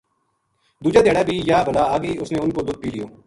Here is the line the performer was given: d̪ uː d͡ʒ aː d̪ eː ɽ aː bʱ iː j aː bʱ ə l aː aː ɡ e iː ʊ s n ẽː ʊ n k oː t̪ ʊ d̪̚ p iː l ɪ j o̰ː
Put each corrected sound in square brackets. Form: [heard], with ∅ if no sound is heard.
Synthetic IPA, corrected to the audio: d̪ uː d͡ʒ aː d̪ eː ɽ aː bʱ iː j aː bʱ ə l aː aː ɡ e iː ʊ s n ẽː ʊ n k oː [d̪] ʊ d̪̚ p iː l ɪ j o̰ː